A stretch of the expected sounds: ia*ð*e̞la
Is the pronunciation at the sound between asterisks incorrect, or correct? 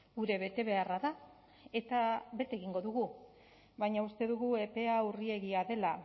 correct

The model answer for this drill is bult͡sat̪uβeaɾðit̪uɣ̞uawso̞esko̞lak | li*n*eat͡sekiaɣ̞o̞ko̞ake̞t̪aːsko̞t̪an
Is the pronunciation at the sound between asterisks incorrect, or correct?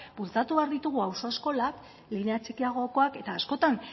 correct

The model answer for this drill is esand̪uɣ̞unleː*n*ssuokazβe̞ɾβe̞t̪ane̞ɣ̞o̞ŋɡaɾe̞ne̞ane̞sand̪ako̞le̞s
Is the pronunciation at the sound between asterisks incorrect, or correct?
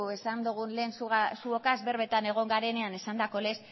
correct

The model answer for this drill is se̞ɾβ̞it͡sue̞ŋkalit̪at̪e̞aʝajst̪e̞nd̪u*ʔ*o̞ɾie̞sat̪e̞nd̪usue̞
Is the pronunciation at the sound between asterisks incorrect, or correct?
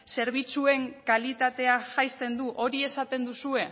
correct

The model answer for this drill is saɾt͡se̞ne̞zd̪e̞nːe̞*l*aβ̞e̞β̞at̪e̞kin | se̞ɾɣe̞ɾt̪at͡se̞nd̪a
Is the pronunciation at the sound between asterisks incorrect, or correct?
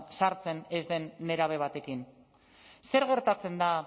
incorrect: ɾ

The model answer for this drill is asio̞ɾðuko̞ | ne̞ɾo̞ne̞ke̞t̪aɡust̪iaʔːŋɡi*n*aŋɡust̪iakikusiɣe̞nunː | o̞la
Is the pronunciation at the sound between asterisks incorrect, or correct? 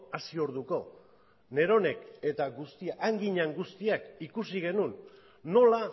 incorrect: ɲ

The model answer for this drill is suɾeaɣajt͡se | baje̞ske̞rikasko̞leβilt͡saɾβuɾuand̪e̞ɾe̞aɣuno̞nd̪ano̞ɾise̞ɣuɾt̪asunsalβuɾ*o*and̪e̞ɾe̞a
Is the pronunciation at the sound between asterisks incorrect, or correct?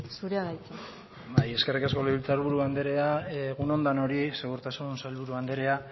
incorrect: u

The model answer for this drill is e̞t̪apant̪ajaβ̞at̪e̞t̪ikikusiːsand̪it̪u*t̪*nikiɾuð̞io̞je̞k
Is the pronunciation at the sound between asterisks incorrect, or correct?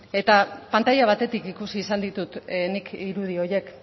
correct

